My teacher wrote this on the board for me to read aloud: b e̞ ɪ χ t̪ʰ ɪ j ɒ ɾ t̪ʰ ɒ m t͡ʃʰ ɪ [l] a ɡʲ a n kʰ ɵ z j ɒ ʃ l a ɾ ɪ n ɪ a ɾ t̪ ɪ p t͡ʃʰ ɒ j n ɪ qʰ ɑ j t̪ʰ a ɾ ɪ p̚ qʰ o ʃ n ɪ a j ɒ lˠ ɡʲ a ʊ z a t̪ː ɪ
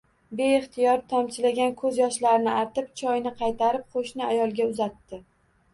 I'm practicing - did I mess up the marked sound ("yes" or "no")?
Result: no